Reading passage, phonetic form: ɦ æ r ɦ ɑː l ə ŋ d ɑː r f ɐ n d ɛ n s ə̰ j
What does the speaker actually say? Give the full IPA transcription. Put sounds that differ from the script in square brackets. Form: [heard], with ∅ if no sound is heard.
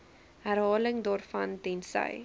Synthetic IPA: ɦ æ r ɦ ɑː l ə ŋ d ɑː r f ɐ n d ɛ n s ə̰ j